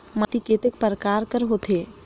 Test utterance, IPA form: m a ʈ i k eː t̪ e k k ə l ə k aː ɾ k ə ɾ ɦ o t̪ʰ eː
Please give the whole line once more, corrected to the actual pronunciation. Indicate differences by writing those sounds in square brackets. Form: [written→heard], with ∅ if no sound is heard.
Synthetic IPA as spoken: m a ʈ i k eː t̪ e k [k→p] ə [l→ɾ] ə k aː ɾ k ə ɾ ɦ o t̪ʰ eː